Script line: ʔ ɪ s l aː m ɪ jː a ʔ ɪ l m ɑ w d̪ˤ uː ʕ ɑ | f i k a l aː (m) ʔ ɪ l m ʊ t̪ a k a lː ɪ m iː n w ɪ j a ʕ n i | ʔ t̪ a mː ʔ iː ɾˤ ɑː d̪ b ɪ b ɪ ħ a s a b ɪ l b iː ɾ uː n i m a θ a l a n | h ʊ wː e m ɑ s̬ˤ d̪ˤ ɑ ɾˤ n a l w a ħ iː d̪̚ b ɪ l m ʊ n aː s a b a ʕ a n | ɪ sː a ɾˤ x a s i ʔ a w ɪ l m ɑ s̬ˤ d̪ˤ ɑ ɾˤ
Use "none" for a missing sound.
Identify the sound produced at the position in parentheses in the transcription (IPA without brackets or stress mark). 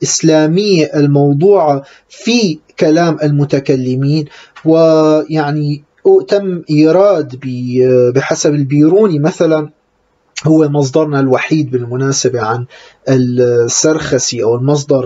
m